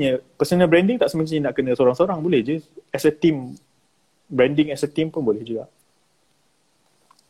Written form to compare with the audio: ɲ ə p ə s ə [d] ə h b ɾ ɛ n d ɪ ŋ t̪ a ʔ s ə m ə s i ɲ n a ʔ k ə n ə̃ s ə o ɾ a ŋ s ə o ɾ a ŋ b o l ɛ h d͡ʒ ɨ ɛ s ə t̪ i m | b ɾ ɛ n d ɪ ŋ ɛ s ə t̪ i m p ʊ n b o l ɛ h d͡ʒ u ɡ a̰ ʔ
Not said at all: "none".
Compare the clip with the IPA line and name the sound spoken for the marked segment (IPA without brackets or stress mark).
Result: n